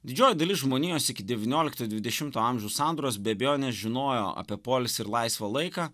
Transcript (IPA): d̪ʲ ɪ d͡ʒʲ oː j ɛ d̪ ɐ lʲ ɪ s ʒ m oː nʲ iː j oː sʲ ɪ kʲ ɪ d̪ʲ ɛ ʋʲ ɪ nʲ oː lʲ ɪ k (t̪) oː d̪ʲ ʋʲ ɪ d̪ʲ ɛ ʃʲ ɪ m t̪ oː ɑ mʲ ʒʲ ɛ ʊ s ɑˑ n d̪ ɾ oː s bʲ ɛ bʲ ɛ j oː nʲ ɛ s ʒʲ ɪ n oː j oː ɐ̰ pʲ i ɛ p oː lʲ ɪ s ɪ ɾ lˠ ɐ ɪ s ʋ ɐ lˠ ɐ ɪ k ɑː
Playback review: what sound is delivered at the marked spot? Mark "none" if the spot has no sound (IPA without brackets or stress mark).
t̪